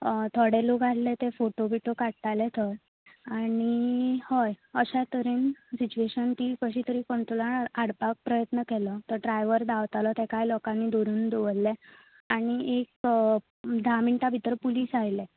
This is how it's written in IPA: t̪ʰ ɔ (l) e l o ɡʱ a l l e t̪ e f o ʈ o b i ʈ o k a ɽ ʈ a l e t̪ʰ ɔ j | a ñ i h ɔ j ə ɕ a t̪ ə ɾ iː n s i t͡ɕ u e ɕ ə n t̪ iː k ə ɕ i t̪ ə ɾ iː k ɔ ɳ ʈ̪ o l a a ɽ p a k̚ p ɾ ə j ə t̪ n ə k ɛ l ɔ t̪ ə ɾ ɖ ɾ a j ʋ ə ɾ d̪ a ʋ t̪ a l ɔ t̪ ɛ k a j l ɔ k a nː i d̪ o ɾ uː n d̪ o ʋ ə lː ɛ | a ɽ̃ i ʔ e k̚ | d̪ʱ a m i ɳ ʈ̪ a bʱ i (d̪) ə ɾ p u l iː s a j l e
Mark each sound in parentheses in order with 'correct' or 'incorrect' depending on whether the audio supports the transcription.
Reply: incorrect, incorrect

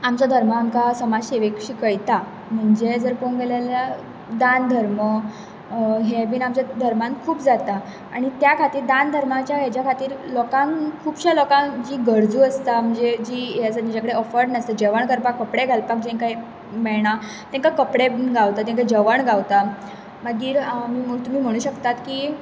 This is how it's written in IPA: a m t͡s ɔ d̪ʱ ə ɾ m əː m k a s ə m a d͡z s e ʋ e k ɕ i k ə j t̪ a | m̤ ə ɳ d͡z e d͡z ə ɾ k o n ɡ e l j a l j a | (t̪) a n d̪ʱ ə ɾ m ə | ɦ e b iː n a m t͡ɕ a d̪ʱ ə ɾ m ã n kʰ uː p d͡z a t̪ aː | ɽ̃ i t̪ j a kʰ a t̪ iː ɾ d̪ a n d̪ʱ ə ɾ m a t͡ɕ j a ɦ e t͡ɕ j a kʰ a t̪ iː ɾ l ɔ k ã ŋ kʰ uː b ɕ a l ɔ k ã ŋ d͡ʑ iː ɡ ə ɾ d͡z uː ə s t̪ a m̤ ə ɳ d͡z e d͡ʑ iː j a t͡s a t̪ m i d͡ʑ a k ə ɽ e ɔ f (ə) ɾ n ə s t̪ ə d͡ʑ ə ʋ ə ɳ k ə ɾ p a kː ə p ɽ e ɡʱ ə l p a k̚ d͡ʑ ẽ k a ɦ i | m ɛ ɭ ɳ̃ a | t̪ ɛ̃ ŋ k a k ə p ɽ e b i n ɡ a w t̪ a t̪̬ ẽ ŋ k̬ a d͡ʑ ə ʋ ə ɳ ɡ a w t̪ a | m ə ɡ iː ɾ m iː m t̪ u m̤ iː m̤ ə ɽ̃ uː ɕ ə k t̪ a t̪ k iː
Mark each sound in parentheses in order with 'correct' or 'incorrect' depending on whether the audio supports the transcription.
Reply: incorrect, correct

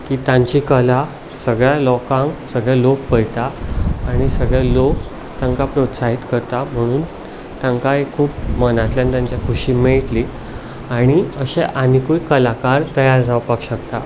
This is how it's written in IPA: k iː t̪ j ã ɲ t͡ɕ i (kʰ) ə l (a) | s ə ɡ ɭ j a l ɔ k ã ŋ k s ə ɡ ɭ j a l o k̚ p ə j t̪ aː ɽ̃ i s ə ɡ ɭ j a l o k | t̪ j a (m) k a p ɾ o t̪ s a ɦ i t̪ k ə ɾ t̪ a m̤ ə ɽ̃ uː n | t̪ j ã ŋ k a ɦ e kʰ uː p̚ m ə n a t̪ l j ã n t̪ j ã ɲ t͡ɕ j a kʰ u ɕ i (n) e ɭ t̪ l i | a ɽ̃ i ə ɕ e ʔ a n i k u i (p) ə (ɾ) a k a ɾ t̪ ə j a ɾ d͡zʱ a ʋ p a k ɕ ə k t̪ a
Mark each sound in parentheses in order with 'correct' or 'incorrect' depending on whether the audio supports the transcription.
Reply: incorrect, correct, incorrect, incorrect, incorrect, incorrect

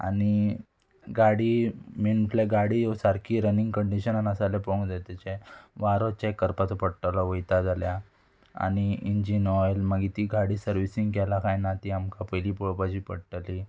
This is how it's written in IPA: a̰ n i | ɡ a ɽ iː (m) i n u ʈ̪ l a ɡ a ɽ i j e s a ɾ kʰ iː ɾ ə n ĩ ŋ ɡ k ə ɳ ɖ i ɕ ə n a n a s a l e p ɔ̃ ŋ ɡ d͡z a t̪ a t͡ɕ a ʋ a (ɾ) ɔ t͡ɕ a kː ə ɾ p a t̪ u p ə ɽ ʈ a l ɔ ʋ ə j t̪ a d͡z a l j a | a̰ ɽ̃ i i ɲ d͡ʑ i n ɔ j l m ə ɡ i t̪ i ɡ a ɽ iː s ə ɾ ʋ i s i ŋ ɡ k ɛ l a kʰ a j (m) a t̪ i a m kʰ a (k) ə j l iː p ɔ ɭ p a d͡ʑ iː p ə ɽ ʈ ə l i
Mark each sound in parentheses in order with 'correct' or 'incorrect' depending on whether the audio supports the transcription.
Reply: correct, correct, incorrect, incorrect

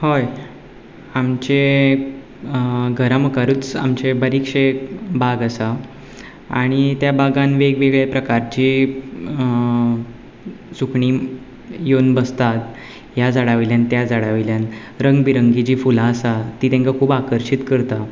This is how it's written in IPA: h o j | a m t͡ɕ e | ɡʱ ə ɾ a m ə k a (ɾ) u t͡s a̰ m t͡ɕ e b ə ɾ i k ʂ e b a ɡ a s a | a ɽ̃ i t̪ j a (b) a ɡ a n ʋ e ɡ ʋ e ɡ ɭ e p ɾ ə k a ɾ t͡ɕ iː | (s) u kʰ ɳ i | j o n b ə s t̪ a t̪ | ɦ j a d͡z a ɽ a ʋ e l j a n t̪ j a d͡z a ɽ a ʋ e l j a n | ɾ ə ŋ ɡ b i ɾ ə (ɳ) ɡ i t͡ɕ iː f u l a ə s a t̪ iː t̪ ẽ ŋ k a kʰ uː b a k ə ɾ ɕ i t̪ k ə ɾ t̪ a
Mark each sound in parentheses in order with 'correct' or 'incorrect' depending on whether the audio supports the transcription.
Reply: correct, correct, correct, incorrect

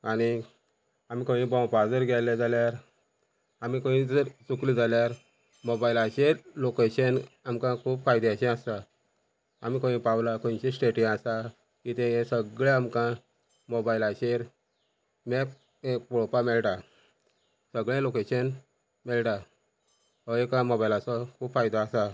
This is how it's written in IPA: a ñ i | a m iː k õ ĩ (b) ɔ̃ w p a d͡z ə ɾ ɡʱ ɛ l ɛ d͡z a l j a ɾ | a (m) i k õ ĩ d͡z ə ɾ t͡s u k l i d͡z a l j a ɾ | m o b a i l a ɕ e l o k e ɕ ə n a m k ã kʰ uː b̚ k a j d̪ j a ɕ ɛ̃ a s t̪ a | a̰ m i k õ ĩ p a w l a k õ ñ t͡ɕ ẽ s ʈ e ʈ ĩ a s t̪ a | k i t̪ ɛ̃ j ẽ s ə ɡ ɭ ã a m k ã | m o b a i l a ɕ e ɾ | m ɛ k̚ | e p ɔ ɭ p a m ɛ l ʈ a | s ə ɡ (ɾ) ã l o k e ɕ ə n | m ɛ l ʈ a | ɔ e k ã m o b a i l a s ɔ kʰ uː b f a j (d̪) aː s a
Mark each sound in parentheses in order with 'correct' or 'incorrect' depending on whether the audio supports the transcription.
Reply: correct, correct, incorrect, correct

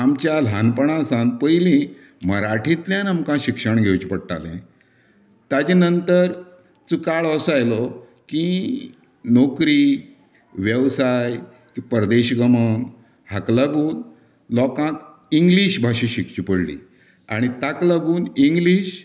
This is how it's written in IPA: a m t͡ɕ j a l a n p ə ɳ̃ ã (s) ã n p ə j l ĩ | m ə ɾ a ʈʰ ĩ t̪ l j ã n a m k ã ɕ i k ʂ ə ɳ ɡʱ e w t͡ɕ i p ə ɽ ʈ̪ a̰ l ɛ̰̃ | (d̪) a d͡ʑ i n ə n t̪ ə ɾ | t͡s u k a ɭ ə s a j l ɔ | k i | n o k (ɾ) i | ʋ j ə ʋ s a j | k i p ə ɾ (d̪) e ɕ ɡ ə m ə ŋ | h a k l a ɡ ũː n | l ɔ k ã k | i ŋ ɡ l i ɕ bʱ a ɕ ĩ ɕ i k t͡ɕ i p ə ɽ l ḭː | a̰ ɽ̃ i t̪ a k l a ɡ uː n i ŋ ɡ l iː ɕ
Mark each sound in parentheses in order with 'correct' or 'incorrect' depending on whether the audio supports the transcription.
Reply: correct, incorrect, correct, correct

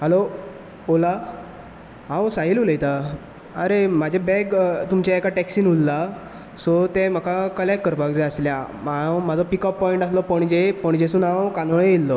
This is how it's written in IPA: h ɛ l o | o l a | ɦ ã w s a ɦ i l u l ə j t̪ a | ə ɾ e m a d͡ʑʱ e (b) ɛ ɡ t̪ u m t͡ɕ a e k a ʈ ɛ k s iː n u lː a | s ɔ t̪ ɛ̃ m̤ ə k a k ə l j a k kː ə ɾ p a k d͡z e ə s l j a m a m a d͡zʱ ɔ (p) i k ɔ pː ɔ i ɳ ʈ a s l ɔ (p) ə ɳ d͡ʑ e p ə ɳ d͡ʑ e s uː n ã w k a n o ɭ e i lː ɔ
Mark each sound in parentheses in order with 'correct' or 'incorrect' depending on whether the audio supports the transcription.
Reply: correct, correct, correct

